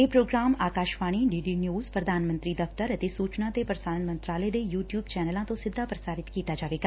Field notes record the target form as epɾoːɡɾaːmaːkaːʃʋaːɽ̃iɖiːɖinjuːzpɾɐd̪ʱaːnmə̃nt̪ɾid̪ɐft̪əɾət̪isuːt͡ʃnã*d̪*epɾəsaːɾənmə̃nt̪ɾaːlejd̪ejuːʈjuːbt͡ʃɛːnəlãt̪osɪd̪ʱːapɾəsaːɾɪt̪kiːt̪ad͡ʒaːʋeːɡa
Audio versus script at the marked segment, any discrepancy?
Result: yes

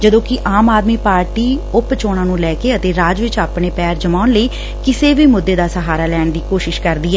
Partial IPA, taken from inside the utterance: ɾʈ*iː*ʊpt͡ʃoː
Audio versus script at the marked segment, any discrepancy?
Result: no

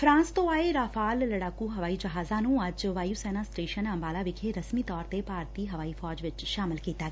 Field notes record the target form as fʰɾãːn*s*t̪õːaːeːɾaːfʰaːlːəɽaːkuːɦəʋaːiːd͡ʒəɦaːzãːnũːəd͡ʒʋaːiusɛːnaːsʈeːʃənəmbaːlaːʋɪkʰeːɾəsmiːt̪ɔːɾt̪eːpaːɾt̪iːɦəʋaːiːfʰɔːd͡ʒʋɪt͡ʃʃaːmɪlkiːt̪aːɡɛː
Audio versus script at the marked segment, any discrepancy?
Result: no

